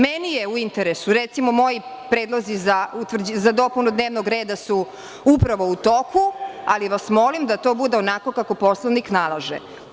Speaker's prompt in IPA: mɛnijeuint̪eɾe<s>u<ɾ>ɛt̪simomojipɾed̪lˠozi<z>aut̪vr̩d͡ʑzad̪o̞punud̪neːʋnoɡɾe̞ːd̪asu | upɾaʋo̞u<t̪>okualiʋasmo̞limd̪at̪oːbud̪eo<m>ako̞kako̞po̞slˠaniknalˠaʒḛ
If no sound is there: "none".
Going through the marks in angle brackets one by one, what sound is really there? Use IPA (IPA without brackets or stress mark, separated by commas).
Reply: s, ɾ, z, t̪, n